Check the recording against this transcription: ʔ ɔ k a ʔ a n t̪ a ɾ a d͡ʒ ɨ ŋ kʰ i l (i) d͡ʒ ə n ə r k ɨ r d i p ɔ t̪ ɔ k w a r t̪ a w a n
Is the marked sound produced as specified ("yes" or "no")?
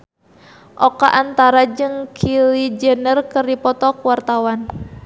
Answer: yes